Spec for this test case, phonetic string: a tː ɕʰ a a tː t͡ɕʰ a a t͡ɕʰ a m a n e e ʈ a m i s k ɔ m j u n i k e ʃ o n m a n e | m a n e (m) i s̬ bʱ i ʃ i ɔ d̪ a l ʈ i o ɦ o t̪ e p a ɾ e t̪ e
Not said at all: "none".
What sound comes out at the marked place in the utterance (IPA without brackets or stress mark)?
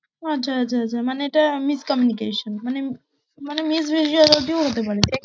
m